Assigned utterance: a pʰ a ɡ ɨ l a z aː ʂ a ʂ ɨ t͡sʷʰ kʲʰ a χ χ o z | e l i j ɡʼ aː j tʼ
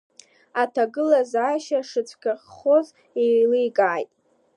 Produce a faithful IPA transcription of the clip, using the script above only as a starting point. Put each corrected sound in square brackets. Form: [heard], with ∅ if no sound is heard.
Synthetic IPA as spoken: a [tʰ] a ɡ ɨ l a z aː [ʃ] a ʂ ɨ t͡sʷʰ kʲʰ a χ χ o z | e l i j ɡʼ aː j tʼ